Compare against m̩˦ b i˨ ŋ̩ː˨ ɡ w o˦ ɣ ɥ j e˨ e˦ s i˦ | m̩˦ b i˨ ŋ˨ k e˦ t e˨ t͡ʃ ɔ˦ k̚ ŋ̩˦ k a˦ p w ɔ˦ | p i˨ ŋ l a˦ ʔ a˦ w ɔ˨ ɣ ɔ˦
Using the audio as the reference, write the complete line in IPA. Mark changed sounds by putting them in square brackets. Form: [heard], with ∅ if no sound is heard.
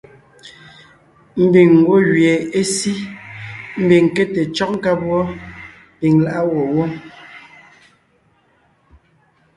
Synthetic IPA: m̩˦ b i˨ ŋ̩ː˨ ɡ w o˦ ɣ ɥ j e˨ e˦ s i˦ | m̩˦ b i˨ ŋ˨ k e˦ t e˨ t͡ʃ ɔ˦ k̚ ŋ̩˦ k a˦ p w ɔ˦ | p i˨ ŋ l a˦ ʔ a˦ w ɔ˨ [w] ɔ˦